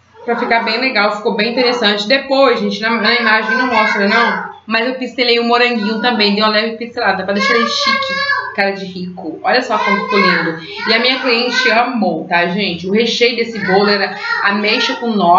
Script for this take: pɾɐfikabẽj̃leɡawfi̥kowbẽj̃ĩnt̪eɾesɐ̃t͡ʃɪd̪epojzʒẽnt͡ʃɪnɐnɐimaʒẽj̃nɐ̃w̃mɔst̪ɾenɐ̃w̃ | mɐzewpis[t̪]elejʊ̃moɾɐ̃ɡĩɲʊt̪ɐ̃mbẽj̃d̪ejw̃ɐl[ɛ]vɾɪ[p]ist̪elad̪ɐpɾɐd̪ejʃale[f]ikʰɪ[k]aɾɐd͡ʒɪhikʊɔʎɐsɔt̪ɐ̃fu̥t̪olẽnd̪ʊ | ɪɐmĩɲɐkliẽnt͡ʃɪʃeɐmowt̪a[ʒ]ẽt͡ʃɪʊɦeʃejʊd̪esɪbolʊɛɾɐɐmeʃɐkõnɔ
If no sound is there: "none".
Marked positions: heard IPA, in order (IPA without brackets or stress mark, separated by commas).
t̪, ɛ, p, ʃ, k, ʒ